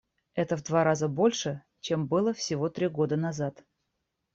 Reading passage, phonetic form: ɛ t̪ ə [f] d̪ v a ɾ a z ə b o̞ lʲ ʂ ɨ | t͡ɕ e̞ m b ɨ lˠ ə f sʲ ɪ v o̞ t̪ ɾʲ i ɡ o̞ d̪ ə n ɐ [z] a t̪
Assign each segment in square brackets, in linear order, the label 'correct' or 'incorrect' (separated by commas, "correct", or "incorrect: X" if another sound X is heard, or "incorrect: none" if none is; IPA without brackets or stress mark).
incorrect: v, correct